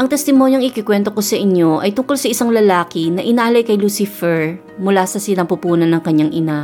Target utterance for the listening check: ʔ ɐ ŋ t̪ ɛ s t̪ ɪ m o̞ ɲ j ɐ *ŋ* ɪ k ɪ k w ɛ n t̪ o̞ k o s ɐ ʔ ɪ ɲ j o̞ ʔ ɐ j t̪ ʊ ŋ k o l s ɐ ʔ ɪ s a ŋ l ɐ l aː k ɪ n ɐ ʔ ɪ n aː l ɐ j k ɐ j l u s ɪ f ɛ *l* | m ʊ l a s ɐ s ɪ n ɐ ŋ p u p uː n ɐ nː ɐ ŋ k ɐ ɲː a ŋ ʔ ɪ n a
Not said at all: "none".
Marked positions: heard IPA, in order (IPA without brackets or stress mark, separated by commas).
ŋ, ɹ